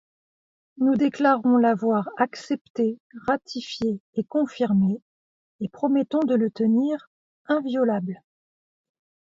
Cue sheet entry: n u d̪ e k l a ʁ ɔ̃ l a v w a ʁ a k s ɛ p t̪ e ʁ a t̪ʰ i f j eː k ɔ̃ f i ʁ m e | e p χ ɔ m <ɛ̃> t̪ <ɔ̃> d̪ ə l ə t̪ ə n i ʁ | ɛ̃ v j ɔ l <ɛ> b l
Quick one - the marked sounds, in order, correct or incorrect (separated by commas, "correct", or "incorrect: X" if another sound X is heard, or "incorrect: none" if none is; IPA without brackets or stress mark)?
incorrect: ɛ, correct, incorrect: a